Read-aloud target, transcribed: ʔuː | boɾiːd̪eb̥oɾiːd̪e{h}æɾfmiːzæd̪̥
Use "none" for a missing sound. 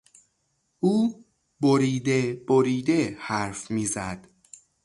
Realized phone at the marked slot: h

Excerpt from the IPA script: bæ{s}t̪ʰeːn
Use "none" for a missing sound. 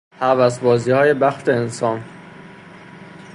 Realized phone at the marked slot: x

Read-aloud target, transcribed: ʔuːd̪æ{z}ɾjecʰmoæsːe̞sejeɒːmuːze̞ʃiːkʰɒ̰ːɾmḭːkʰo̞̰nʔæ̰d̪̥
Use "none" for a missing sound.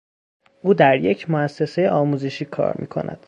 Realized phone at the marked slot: none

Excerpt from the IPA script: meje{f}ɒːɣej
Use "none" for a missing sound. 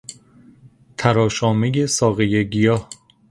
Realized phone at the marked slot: s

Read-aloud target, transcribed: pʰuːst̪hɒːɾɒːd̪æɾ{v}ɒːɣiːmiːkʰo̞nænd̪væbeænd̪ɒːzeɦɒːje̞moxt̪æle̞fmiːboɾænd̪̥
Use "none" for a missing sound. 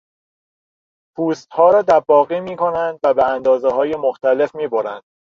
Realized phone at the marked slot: b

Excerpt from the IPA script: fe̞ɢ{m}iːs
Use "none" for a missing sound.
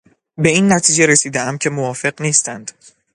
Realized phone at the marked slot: n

